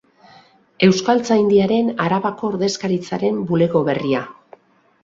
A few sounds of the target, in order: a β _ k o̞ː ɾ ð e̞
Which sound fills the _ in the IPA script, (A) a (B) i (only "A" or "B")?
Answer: A